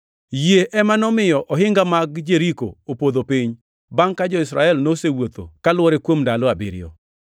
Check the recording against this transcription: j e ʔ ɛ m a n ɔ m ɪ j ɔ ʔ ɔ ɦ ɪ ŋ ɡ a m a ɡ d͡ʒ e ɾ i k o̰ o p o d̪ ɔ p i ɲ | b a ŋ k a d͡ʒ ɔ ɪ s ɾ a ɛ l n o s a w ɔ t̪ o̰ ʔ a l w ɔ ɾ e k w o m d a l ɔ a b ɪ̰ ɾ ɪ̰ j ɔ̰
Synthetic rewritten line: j e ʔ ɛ m a n ɔ m ɪ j ɔ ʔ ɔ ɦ ɪ ŋ ɡ a m a ɡ d͡ʒ e ɾ i k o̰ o p o d̪ o p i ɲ | b a ŋ k a d͡ʒ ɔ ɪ s ɾ a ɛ l n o s e w o t̪ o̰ k a l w ɔ ɾ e k w o m d a l ɔ a b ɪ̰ ɾ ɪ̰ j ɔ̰